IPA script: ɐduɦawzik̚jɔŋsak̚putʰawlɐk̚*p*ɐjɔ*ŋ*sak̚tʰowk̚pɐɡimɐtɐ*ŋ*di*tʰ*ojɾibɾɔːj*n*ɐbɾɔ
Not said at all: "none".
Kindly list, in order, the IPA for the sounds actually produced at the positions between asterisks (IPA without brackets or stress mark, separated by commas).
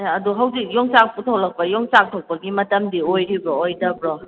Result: p, ŋ, m, none, d